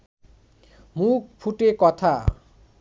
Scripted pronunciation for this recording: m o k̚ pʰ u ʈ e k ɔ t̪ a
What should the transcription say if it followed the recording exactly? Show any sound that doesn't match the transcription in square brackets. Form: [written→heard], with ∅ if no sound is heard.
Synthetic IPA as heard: m [o→u] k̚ pʰ u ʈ e k ɔ [t̪→t̪ʰ] a